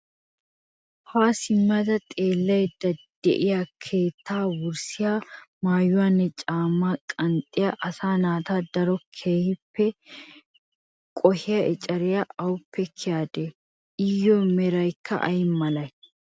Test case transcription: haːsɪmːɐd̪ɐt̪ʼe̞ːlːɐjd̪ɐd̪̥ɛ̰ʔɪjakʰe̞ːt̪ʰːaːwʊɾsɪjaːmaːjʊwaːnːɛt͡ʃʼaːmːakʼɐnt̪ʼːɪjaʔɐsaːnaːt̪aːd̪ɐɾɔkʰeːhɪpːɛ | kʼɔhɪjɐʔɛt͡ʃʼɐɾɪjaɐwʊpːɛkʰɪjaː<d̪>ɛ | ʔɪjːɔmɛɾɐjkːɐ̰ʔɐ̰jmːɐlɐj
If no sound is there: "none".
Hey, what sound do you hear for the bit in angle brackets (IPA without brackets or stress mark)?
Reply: d̪